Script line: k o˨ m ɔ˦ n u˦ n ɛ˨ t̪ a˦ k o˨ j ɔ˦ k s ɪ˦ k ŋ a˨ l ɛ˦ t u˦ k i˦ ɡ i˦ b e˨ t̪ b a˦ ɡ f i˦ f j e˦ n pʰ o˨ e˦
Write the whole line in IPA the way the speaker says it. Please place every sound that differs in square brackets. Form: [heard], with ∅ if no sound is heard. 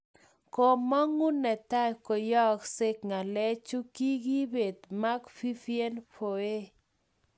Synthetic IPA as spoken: k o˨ m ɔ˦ [ŋ] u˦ n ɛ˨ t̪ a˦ k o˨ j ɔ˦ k s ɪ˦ k ŋ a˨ l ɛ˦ [t͡ʃ] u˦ k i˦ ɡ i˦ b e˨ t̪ [m] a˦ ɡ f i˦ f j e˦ n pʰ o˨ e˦